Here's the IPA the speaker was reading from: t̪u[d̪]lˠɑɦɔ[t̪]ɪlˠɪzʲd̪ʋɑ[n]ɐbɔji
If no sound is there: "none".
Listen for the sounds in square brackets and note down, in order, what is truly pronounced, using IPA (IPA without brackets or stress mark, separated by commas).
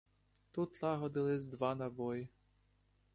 t̪, d̪, n